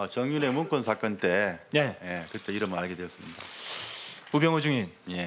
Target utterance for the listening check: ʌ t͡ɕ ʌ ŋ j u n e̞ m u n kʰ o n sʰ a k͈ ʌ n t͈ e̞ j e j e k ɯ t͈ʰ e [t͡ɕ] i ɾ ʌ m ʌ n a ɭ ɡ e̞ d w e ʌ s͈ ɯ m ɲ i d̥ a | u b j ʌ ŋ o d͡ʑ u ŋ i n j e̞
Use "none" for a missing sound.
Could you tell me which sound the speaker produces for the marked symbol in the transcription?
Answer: none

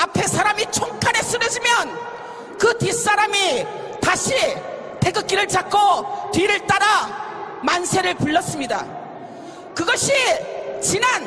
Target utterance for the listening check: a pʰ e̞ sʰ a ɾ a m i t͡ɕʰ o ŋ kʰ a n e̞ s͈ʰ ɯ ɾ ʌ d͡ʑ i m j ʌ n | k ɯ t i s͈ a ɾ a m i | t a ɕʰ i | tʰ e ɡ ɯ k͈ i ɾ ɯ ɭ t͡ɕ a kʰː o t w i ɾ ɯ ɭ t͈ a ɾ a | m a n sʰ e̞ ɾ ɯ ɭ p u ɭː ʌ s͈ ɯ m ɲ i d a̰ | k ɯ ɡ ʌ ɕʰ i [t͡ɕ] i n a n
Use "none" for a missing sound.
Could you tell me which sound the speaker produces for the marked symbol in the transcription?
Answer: t͡ɕ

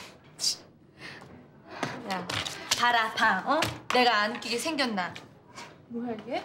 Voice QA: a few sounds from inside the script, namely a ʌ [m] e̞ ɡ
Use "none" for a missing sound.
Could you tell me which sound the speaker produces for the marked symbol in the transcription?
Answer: n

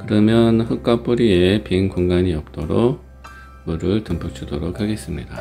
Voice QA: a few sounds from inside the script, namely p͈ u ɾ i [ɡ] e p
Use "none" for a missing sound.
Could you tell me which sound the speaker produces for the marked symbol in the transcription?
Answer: none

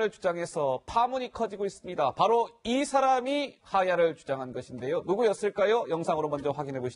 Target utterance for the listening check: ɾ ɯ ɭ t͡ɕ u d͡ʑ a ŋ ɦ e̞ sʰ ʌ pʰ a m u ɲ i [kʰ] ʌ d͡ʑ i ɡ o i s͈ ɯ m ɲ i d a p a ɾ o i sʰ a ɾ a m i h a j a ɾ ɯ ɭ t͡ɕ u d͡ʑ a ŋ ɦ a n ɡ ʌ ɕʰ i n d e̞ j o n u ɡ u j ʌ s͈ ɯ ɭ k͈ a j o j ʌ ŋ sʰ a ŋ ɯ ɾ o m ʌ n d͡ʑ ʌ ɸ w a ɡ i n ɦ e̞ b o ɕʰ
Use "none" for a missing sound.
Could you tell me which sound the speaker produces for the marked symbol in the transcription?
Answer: kʰ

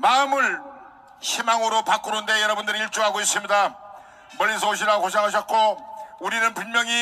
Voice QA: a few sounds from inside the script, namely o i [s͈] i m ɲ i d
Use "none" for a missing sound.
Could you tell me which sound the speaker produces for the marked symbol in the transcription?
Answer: s͈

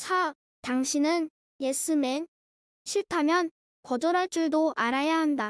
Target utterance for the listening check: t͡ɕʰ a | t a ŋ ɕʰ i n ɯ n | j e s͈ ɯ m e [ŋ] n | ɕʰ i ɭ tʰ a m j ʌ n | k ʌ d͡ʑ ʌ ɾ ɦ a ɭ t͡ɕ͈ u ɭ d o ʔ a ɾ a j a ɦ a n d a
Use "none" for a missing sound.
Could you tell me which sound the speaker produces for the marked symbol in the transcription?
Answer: none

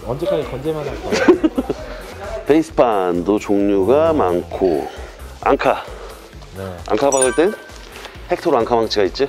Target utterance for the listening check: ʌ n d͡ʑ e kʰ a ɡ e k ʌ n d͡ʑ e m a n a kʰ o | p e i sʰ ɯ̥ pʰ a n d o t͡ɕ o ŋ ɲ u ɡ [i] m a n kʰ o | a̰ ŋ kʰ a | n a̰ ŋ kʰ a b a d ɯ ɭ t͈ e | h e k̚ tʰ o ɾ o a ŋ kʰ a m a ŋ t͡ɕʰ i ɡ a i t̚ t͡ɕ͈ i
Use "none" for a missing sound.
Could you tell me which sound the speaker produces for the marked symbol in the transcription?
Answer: a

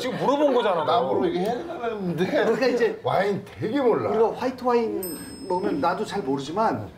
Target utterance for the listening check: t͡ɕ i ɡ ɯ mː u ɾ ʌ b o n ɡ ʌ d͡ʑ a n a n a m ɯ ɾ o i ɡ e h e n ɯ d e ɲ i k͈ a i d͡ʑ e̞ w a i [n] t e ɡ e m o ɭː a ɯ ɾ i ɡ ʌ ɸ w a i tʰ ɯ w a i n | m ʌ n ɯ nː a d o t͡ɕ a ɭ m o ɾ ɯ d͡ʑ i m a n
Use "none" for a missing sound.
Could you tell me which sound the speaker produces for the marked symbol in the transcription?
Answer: n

